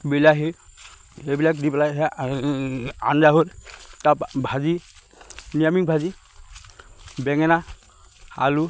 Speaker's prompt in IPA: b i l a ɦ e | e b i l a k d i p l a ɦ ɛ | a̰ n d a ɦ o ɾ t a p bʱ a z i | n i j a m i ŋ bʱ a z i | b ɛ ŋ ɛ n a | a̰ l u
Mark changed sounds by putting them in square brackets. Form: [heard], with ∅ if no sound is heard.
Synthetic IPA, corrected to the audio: b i l a ɦ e | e b i l a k d i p l a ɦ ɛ | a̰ n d a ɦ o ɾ t a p bʱ a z i | n i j a m i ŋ bʱ a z i | b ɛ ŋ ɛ n a | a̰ l u